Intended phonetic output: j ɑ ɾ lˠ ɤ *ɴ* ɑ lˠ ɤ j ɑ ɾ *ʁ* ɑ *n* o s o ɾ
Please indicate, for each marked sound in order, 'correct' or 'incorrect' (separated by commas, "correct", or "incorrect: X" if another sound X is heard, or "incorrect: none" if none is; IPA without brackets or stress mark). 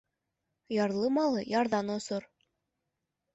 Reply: incorrect: m, incorrect: ð, correct